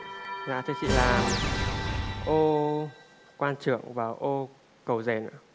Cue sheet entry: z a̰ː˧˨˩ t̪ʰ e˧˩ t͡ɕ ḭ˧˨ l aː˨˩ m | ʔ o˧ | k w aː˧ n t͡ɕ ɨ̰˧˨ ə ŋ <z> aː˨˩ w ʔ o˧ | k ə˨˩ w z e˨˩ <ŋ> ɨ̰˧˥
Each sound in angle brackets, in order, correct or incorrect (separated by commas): incorrect, incorrect